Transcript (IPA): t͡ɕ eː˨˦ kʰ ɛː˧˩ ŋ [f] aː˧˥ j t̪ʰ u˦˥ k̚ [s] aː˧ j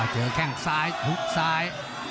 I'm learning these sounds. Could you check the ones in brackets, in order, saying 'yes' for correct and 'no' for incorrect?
no, yes

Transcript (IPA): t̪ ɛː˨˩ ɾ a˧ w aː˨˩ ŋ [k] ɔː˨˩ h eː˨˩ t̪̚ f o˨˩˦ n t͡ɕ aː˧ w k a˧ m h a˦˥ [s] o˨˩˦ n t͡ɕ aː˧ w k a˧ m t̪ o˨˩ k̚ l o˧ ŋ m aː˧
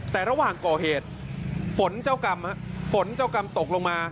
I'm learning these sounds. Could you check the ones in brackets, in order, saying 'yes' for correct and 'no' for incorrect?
yes, no

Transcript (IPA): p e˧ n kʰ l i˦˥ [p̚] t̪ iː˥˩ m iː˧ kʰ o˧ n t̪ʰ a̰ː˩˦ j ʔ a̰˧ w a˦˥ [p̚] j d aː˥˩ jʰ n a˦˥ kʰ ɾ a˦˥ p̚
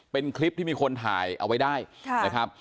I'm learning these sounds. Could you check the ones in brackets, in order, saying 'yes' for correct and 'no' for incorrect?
yes, no

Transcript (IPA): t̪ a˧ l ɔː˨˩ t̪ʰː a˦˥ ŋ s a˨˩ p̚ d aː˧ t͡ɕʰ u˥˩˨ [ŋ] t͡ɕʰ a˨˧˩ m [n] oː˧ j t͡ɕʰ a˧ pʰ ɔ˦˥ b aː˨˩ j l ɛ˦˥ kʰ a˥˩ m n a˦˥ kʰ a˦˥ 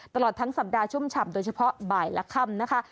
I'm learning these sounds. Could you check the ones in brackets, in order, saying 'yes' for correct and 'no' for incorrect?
no, no

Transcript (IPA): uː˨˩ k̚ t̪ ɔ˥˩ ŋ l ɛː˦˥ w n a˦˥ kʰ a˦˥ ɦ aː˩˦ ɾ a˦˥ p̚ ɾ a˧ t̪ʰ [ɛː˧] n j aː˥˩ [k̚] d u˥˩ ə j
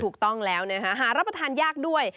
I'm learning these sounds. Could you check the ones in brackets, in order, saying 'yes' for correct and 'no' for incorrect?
no, yes

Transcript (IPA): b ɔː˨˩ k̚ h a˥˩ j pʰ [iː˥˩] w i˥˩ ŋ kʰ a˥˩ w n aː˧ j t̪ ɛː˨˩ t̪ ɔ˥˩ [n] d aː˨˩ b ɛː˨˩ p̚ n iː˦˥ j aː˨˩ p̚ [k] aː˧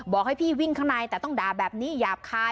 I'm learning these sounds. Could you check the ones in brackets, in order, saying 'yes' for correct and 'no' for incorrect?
yes, no, no

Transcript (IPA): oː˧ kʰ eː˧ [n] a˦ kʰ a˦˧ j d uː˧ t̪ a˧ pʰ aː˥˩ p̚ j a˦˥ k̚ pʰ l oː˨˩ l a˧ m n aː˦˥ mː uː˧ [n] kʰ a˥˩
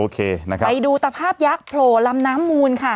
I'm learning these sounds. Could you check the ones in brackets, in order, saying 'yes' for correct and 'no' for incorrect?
yes, yes

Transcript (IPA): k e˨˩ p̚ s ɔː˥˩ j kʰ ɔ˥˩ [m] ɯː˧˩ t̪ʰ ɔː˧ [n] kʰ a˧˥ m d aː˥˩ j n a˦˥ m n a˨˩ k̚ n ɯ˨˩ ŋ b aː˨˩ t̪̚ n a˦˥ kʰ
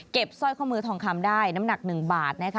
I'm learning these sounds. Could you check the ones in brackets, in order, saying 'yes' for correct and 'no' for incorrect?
yes, no

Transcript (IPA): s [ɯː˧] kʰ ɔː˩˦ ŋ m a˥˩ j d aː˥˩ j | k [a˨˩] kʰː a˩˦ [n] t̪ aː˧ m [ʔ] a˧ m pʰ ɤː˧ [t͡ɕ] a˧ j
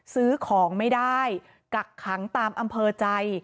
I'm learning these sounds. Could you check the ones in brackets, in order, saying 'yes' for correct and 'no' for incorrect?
no, yes, no, yes, yes

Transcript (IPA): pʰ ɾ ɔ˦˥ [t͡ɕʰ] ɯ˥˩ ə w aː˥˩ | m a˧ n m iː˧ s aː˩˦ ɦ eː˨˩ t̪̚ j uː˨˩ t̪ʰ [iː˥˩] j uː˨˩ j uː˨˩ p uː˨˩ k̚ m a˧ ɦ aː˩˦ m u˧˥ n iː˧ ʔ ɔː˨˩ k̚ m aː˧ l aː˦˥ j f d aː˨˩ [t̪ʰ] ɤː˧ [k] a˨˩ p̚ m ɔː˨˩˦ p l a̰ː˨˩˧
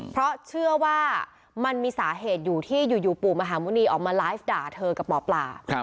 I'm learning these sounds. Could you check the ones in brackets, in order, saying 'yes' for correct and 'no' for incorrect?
yes, yes, yes, yes

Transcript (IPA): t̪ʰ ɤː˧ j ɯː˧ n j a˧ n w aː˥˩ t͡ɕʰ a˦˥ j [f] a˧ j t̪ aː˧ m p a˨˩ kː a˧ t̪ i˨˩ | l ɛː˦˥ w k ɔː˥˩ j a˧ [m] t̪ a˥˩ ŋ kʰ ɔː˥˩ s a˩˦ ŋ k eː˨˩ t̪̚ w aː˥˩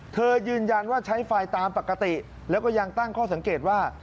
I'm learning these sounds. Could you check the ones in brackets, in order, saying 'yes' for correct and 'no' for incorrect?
yes, no

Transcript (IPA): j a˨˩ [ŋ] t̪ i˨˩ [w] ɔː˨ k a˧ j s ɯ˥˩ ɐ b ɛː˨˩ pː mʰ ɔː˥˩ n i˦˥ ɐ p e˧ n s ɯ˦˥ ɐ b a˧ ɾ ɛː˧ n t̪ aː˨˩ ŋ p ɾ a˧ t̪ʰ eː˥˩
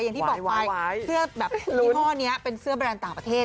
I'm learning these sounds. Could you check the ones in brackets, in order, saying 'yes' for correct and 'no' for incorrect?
yes, no

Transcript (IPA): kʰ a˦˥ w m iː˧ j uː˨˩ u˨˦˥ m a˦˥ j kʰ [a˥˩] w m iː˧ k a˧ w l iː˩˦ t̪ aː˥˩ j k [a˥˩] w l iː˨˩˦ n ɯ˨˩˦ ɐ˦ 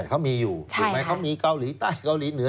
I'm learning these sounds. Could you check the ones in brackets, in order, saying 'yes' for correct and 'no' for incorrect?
no, no

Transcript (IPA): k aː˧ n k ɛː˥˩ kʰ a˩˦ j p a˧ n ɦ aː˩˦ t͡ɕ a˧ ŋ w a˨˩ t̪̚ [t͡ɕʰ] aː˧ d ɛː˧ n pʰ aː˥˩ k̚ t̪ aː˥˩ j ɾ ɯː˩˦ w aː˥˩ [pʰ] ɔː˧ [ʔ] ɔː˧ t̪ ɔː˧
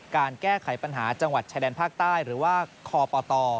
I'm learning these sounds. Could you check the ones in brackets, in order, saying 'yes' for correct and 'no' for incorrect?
yes, no, no

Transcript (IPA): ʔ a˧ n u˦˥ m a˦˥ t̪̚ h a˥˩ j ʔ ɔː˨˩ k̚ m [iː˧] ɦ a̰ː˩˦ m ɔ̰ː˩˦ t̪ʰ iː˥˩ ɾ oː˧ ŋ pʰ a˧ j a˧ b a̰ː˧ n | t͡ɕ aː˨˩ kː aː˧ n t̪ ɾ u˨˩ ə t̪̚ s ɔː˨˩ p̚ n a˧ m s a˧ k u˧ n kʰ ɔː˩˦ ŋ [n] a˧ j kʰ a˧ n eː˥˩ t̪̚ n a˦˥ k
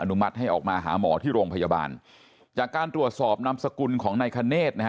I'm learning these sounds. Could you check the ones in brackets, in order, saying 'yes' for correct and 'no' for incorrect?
no, yes

